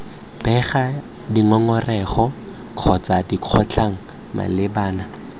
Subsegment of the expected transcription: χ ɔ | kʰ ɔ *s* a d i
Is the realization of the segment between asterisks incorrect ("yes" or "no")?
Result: yes